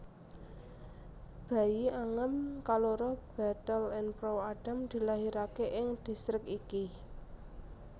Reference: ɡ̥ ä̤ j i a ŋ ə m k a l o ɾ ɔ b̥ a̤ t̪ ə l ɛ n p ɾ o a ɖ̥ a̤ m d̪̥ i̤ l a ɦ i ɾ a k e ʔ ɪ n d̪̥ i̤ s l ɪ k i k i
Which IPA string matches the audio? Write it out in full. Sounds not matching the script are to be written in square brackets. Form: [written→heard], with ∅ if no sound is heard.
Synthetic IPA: [ɡ̥→b̥] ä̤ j i a ŋ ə m k a l o ɾ ɔ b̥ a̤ t̪ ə l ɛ n p ɾ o a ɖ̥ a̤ m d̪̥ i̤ l a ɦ i ɾ a k e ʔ ɪ [n→ŋ] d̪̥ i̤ s [l→ɾ] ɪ k i k i